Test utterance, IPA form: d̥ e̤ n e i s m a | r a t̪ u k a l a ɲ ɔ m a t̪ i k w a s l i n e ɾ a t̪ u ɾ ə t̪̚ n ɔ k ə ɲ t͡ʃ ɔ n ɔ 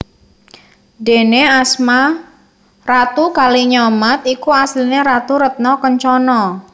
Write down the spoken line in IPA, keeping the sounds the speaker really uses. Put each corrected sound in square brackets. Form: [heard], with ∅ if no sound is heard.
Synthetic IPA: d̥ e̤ n e [a] s m a | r a t̪ u k a l [i] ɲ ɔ m a t̪ i k [u] a s l i n e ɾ a t̪ u ɾ ə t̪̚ n ɔ k ə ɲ t͡ʃ ɔ n ɔ